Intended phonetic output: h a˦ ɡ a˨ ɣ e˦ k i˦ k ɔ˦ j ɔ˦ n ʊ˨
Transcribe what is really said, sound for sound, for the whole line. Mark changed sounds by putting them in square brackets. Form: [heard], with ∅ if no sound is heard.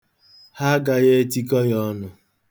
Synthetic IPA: h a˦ ɡ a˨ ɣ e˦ [t] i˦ k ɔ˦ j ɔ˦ n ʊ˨